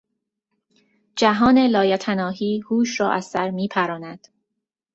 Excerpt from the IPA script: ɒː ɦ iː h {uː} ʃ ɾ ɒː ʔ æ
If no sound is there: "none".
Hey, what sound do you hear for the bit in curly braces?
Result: uː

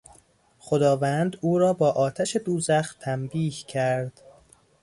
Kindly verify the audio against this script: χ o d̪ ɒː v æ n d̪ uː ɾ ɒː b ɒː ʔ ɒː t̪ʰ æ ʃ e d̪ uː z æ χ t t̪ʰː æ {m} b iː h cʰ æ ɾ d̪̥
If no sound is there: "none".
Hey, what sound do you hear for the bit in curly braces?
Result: m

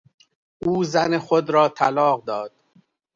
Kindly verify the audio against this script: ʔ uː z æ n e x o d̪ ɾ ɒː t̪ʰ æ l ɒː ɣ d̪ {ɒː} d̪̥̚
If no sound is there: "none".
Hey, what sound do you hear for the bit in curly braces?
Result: ɒː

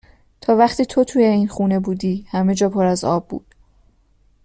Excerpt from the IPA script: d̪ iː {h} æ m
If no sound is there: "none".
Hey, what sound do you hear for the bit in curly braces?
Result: h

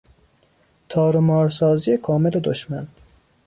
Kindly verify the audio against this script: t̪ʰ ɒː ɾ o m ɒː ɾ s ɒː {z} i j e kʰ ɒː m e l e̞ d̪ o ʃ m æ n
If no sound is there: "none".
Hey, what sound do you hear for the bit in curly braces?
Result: z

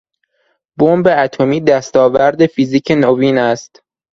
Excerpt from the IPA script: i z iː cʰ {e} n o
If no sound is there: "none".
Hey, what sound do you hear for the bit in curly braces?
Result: e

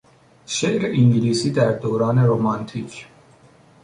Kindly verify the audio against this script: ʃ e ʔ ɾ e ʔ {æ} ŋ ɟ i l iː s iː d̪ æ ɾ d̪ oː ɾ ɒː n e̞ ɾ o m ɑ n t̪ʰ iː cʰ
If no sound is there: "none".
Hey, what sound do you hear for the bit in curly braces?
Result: i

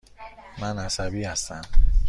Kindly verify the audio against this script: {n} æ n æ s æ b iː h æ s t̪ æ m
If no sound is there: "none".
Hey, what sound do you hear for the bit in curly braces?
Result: m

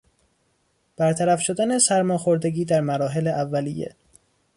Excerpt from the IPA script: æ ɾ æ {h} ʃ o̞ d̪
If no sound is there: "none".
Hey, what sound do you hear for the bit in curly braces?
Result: f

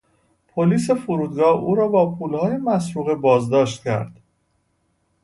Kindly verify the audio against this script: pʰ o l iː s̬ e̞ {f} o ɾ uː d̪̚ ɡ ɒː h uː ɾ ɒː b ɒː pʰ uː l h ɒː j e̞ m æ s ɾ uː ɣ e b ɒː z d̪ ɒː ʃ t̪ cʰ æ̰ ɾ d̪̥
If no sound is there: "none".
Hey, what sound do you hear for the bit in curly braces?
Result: f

